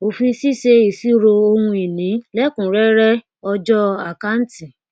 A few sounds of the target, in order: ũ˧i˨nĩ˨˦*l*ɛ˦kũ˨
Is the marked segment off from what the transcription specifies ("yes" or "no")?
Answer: no